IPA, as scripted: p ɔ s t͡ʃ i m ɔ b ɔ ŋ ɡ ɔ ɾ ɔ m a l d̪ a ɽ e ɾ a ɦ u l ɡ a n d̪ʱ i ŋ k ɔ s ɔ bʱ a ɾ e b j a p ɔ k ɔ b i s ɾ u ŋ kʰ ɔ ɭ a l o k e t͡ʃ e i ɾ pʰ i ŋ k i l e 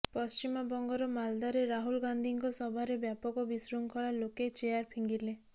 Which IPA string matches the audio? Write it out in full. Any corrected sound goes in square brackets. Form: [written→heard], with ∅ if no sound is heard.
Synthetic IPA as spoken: p ɔ s t͡ʃ i m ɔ b ɔ ŋ ɡ ɔ ɾ ɔ m a l d̪ a [ɽ→ɾ] e ɾ a ɦ u l ɡ a n d̪ʱ i ŋ k ɔ s ɔ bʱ a ɾ e b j a p ɔ k ɔ b i s ɾ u ŋ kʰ ɔ ɭ a l o k e t͡ʃ e [i→a] ɾ pʰ i ŋ [k→ɡ] i l e